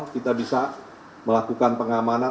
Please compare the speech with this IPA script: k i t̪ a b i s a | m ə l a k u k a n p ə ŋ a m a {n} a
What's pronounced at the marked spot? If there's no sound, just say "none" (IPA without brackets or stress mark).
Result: n